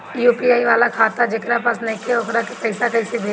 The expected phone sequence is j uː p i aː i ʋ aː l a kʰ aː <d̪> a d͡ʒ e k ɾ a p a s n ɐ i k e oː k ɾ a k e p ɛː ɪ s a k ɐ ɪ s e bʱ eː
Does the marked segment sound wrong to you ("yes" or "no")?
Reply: yes